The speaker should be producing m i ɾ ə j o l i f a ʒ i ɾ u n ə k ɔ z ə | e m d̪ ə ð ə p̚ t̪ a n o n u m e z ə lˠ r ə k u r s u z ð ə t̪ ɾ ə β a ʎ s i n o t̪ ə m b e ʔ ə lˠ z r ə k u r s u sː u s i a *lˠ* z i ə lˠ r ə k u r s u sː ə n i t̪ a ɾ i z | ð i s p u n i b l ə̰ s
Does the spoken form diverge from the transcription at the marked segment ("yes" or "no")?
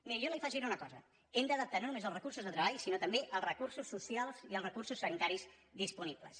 no